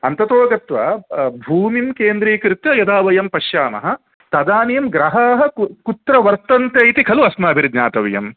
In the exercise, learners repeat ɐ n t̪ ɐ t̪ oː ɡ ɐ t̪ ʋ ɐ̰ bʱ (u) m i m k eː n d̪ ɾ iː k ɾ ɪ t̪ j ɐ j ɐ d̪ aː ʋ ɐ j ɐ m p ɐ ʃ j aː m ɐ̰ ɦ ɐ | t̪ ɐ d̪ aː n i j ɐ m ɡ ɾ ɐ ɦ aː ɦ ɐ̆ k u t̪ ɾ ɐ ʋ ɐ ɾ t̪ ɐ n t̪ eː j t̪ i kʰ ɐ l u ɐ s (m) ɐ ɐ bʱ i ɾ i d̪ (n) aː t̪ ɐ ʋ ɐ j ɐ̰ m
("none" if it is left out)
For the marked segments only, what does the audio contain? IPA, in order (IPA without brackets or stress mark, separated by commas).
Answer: uː, m, ɲ